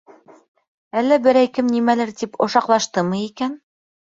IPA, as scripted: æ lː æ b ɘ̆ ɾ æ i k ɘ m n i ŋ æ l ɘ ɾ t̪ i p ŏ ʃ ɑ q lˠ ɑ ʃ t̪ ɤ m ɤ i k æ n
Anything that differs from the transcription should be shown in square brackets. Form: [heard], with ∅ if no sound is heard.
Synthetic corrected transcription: æ lː æ b ɘ̆ ɾ æ [j] k ɘ m n i [m] æ l ɘ ɾ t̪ i p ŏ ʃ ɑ q lˠ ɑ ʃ t̪ ɤ m ɤ i k æ n